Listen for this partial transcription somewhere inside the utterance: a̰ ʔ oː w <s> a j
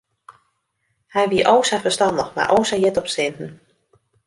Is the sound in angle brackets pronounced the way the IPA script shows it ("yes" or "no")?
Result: yes